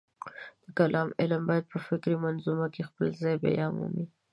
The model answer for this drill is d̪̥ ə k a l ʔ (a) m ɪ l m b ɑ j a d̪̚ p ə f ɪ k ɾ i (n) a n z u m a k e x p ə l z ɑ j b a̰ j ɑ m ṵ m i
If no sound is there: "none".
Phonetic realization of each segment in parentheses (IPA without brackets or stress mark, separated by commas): ɑ, m